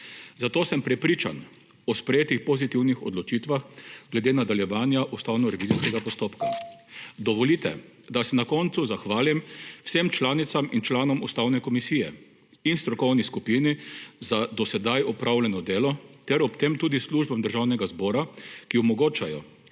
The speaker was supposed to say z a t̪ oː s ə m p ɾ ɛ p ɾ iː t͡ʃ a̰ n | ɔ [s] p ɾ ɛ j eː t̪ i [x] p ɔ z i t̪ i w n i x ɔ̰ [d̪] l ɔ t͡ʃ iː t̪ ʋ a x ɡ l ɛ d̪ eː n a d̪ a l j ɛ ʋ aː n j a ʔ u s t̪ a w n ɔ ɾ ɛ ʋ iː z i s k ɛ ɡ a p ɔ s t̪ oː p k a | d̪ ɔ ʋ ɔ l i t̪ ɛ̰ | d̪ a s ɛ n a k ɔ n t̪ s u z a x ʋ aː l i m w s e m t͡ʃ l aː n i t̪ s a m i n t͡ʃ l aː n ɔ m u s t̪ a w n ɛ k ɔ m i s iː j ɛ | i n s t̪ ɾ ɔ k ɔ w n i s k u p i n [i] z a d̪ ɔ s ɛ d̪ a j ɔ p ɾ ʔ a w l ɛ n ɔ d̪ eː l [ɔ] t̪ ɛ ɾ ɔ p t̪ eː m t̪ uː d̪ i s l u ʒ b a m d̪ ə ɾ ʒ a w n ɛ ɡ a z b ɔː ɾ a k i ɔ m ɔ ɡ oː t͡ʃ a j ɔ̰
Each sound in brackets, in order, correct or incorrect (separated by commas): correct, correct, correct, correct, correct